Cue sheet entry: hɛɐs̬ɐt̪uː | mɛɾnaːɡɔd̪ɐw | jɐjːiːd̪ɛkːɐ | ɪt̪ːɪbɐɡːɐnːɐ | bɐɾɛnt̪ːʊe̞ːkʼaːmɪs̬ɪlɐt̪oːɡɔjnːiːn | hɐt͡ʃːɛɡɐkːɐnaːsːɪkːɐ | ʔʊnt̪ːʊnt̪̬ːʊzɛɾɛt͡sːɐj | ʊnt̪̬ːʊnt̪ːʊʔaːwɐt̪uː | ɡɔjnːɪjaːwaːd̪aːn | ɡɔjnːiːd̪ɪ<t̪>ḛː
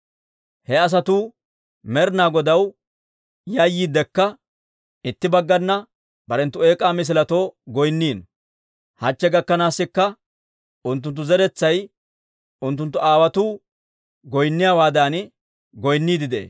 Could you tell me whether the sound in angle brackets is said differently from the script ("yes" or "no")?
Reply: yes